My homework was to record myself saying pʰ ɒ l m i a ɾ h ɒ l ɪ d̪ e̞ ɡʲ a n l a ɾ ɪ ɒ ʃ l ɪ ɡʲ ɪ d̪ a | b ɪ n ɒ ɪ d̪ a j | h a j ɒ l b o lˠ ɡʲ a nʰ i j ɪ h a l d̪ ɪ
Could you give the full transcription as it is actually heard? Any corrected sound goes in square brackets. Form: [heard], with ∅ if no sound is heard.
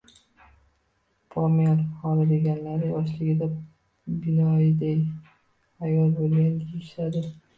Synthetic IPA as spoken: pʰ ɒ [∅] m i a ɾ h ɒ l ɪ d̪ e̞ ɡʲ a n l a ɾ ɪ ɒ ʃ l ɪ ɡʲ ɪ d̪ a | b ɪ n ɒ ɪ d̪ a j | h a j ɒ l b o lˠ ɡʲ a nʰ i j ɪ [ʃ] a [∅] d̪ ɪ

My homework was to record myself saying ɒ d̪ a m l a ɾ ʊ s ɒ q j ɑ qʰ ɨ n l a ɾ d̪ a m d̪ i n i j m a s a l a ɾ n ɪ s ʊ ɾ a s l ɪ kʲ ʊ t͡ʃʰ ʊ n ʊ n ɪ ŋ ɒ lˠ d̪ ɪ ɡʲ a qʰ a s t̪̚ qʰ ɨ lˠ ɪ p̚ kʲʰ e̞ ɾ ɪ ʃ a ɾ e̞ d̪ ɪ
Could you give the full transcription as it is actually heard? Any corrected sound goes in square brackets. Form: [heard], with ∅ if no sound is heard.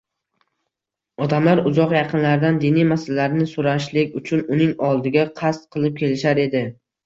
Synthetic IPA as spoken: ɒ d̪ a m l a ɾ ʊ [z] ɒ q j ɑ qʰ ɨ n l a ɾ d̪ a [n] d̪ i n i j m a s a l a ɾ n ɪ s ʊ ɾ a [ʃ] l ɪ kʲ ʊ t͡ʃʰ ʊ n ʊ n ɪ ŋ ɒ lˠ d̪ ɪ ɡʲ a qʰ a s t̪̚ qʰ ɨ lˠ ɪ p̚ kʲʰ e̞ [l] ɪ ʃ a ɾ e̞ d̪ ɪ

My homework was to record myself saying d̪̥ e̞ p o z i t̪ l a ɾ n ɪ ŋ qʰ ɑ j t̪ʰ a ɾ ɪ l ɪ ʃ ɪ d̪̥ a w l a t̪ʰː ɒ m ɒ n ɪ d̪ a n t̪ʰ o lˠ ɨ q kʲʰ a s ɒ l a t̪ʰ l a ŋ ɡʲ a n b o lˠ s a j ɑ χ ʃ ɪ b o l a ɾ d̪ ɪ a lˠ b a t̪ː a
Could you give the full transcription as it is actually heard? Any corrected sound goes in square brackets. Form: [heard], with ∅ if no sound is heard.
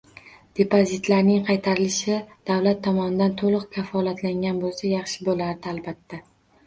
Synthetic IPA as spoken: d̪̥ e̞ p o z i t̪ l a ɾ n ɪ ŋ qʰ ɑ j t̪ʰ a ɾ ɪ l ɪ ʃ ɪ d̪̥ a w l a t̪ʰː ɒ m ɒ n ɪ d̪ a n t̪ʰ o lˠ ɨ q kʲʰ a [f] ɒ l a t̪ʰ l a ŋ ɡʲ a n b o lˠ s a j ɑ χ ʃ ɪ b o l a ɾ d̪ ɪ a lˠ b a t̪ː a

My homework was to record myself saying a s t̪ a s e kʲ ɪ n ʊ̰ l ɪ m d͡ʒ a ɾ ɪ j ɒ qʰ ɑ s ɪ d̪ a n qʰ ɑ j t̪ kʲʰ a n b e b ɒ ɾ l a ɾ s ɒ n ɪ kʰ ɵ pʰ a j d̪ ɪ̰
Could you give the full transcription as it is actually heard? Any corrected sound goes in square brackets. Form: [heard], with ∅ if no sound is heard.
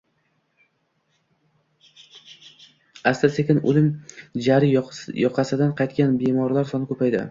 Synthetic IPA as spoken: a s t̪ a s e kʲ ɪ n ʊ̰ l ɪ m d͡ʒ a ɾ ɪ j ɒ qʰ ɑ s ɪ d̪ a n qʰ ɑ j t̪ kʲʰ a n b e [m] ɒ ɾ l a ɾ s ɒ n ɪ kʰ ɵ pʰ a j d̪ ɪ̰

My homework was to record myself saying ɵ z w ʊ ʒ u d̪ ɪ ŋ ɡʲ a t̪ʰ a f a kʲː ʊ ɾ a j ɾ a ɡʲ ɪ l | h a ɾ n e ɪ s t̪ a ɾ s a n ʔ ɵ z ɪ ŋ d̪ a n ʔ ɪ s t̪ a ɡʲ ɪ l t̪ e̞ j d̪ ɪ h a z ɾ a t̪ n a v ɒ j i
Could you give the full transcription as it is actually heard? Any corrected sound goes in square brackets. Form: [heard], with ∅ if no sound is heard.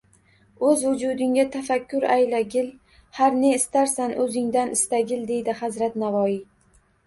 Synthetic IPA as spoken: ɵ z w ʊ [d͡ʒ] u d̪ ɪ ŋ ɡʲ a t̪ʰ a f a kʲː ʊ ɾ a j [l] a ɡʲ ɪ l | h a ɾ n e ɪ s t̪ a ɾ s a n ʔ ɵ z ɪ ŋ d̪ a n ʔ ɪ s t̪ a ɡʲ ɪ l [d̪] e̞ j d̪ ɪ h a z ɾ a t̪ n a v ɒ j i

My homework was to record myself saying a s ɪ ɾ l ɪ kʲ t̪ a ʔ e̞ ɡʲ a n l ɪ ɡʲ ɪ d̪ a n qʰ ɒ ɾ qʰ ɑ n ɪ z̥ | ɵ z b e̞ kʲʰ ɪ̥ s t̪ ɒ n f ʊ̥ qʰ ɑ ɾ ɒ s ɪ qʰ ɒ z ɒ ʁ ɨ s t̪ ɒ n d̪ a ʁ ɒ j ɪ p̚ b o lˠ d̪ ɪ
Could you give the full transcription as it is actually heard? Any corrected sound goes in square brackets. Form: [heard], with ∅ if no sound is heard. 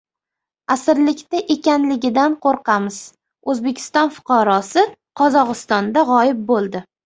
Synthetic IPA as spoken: a s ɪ ɾ l ɪ kʲ t̪ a ʔ e̞ [kʲ] a n l ɪ ɡʲ ɪ d̪ a n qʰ [o] ɾ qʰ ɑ [m] ɪ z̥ | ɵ z b e̞ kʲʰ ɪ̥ s t̪ ɒ n f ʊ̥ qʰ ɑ ɾ ɒ s ɪ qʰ ɒ z ɒ ʁ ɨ s t̪ ɒ n d̪ a ʁ ɒ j ɪ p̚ b o lˠ d̪ ɪ

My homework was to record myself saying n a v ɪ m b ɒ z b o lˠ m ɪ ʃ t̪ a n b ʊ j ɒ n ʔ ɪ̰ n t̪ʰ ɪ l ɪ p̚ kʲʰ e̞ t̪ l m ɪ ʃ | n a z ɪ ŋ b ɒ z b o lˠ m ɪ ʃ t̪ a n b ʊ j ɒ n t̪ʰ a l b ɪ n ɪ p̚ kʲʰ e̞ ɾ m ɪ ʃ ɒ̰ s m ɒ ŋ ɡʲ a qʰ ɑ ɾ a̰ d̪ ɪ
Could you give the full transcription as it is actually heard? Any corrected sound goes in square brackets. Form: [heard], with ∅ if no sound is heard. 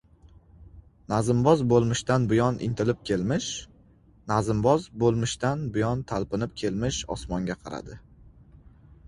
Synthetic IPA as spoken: n a [z] ɪ m b ɒ z b o lˠ m ɪ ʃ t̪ a n b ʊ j ɒ n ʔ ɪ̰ n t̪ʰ ɪ l ɪ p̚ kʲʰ e̞ [∅] l m ɪ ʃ | n a z ɪ [m] b ɒ z b o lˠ m ɪ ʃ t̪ a n b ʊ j ɒ n t̪ʰ a l [p] ɪ n ɪ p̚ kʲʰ e̞ [l] m ɪ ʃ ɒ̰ s m ɒ ŋ ɡʲ a qʰ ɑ ɾ a̰ d̪ ɪ

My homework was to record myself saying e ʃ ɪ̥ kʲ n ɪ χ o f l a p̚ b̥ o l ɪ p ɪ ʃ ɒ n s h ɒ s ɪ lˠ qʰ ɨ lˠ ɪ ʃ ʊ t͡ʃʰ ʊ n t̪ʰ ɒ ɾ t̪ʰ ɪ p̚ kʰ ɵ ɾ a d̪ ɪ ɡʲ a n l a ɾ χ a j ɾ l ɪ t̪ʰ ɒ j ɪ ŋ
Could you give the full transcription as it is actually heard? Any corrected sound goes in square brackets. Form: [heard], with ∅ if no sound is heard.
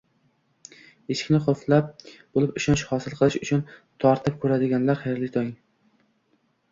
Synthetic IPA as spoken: e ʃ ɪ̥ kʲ n ɪ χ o f l a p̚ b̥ o l ɪ p ɪ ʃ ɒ n [ʃ] h ɒ s ɪ lˠ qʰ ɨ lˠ ɪ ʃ ʊ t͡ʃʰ ʊ n t̪ʰ ɒ ɾ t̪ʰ ɪ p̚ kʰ ɵ ɾ a d̪ ɪ ɡʲ a n l a ɾ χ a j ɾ l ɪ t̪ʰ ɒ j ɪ ŋ

